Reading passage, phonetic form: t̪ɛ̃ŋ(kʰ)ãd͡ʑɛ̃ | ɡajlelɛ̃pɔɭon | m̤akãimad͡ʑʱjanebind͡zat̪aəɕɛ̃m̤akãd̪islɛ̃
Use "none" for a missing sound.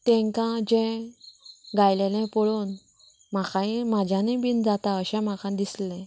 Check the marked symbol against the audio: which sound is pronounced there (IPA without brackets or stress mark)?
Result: k